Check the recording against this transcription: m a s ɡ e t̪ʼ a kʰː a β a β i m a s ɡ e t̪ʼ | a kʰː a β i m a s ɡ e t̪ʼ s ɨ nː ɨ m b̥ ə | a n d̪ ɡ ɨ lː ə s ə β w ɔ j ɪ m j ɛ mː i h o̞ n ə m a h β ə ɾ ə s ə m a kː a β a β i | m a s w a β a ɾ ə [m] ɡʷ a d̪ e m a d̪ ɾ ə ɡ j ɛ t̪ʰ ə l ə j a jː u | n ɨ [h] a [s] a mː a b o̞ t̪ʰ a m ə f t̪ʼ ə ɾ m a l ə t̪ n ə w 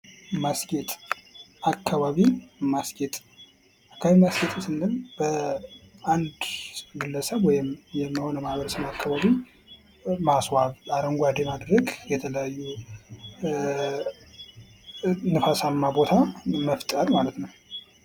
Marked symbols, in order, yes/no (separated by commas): no, no, yes